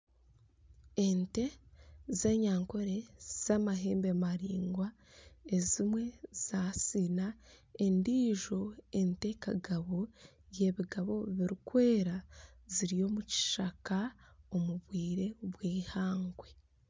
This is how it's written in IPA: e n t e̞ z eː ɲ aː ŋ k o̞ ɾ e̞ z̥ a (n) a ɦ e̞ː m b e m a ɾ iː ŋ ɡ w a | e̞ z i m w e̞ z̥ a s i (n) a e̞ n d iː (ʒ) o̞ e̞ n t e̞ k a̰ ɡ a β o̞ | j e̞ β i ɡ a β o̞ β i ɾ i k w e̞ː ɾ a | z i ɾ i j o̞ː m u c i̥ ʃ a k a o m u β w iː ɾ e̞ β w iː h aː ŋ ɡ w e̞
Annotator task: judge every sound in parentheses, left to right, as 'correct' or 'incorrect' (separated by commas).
incorrect, correct, correct